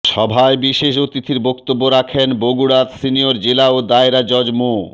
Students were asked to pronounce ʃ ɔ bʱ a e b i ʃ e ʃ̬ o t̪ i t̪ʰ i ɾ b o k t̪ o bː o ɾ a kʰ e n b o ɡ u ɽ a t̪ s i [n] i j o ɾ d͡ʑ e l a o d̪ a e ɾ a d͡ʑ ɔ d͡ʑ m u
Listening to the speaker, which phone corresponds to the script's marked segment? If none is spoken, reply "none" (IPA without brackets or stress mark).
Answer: n